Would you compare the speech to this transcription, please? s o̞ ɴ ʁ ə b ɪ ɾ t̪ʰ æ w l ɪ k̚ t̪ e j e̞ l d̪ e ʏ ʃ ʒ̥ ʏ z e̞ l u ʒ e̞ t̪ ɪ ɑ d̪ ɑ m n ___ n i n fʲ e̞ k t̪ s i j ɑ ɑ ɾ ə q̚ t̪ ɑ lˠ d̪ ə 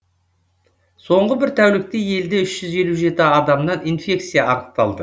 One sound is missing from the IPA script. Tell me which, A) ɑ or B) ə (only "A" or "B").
A